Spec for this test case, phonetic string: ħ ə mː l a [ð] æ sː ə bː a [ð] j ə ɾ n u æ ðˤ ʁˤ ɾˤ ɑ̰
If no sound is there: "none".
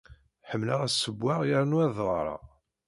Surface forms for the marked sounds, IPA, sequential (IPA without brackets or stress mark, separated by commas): ʁ, ʁ